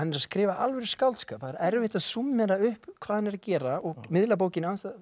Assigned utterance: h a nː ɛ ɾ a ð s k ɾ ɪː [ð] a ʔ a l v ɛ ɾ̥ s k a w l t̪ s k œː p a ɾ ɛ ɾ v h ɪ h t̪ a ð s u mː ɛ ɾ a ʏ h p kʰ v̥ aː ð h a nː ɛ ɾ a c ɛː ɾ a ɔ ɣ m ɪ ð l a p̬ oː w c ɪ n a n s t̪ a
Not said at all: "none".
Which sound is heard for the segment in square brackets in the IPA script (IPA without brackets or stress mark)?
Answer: v